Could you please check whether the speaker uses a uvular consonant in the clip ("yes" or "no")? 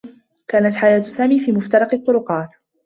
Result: yes